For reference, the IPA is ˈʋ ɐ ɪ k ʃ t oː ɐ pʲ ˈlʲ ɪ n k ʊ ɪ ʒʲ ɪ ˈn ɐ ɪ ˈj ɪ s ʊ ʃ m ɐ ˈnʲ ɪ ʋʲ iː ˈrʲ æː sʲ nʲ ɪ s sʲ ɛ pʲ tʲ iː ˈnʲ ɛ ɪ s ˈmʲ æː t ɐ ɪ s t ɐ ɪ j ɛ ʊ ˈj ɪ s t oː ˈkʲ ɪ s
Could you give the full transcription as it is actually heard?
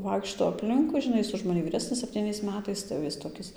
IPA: ˈʋ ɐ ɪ k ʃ t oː ɐ pʲ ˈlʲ ɪ ŋ k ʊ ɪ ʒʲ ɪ ˈn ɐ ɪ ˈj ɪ s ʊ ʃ m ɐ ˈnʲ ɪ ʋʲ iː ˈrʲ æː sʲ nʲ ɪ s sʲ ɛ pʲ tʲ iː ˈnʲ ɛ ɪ s ˈmʲ æː t ɐ ɪ s t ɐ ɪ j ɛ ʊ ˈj ɪ s t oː ˈkʲ ɪ s